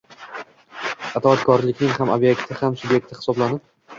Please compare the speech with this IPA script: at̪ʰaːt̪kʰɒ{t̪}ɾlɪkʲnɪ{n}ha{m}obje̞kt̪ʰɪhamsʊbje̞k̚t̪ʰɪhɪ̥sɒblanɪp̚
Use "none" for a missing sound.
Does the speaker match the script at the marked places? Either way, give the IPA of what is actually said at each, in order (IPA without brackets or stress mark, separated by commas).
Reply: none, ŋ, m